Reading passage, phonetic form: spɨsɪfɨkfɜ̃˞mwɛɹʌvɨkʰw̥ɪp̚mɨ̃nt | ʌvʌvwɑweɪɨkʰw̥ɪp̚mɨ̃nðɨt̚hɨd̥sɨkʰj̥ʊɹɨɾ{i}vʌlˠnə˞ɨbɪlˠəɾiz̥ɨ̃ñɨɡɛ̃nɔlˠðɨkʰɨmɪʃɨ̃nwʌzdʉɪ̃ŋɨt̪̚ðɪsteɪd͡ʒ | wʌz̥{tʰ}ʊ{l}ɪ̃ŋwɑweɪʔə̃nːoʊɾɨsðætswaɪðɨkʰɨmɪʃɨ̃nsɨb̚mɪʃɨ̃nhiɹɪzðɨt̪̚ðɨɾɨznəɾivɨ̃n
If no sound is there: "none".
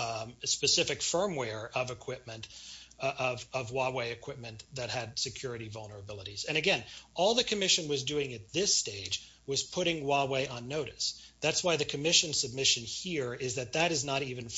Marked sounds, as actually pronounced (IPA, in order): i, pʰ, ɾ

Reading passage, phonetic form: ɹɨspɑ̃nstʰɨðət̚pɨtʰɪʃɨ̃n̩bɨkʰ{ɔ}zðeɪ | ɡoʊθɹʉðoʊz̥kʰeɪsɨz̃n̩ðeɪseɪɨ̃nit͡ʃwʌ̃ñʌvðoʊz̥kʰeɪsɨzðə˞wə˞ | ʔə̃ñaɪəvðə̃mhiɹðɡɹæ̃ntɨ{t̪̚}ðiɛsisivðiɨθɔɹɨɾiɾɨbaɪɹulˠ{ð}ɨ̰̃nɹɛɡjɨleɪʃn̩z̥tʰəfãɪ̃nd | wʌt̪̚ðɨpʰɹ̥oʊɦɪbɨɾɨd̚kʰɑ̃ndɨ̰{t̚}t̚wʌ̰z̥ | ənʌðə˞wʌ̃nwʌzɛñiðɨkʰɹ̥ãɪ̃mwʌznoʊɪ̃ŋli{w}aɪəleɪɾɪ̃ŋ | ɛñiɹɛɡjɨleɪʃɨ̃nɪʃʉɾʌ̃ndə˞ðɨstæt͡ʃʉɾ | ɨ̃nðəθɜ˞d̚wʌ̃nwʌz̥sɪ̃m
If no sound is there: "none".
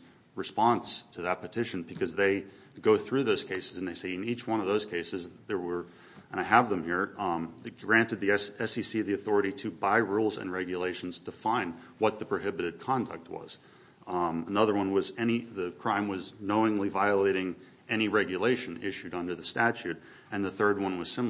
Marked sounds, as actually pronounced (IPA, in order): ʌ, d̪̚, z, k̚, v

